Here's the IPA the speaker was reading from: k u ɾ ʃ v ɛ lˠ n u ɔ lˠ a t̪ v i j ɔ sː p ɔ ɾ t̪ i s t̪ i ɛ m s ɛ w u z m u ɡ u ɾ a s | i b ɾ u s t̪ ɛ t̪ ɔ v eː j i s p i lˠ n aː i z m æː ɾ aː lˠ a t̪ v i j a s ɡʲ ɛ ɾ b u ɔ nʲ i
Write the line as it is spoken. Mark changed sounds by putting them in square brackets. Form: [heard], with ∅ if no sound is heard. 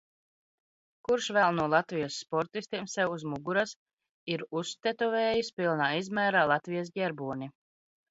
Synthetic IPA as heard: k u ɾ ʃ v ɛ lˠ n u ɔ lˠ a t̪ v i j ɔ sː p ɔ ɾ t̪ i s t̪ i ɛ m s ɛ w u z m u ɡ u ɾ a s | i [∅] ɾ u s t̪ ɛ t̪ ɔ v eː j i s p i lˠ n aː i z m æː ɾ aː lˠ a t̪ v i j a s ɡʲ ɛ ɾ b u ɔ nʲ i